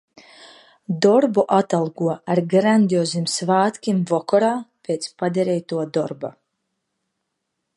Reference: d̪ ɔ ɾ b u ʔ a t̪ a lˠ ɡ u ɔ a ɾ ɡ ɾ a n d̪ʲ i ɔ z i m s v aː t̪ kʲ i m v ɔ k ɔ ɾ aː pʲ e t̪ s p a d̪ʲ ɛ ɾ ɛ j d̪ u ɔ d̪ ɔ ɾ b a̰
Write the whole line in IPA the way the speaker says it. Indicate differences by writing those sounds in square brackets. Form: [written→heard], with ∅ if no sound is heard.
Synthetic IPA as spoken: d̪ ɔ ɾ b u ʔ a t̪ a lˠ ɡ u ɔ a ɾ ɡ ɾ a n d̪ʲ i ɔ z i m s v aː t̪ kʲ i m v ɔ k ɔ ɾ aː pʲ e t̪ s p a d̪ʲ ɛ ɾ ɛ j [d̪→t̪] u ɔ d̪ ɔ ɾ b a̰